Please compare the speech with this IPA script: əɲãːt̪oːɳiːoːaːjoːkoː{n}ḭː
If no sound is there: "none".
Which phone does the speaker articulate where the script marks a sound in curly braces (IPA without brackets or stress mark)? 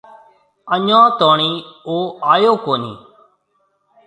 n